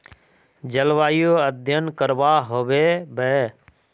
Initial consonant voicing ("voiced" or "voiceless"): voiced